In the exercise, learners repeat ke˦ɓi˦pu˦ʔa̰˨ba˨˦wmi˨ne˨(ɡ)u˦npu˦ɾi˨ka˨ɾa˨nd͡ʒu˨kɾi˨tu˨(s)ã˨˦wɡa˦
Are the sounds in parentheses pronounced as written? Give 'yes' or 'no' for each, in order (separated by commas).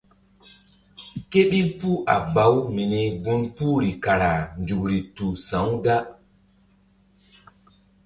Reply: yes, yes